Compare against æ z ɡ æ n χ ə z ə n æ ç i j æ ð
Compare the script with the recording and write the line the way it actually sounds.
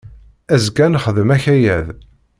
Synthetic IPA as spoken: æ z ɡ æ n χ ə ð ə m æ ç æ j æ ð